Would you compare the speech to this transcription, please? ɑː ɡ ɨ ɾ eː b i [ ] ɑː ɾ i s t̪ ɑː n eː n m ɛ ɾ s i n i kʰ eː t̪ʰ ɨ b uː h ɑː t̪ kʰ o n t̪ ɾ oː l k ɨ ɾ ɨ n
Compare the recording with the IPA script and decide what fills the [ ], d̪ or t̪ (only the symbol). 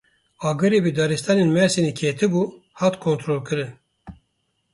d̪